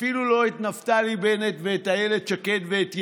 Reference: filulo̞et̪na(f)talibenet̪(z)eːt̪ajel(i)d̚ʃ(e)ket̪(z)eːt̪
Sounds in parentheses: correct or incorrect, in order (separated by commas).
correct, incorrect, incorrect, incorrect, incorrect